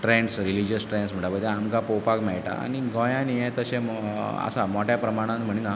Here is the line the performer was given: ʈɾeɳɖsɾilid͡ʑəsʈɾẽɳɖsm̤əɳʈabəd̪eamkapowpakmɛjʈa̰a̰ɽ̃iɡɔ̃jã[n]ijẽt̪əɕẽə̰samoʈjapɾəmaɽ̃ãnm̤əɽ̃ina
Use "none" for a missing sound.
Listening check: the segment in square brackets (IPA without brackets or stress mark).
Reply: n